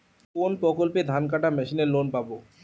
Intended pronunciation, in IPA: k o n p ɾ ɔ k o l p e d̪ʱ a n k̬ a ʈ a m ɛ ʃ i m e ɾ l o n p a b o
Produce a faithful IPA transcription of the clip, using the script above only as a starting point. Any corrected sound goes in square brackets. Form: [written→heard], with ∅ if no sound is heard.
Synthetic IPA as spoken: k o n p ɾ ɔ k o l p e d̪ʱ a n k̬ a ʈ a m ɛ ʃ i [m→n] e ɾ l o n p a b o